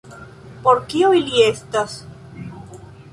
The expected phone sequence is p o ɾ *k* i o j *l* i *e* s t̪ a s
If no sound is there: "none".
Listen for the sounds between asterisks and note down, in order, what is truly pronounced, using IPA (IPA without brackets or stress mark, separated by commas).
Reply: k, l, e